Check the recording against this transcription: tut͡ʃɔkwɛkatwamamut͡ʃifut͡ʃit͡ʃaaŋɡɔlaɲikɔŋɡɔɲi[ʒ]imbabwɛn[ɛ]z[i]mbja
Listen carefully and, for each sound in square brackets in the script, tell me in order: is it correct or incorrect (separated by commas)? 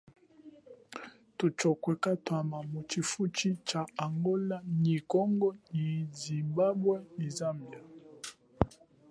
incorrect, incorrect, incorrect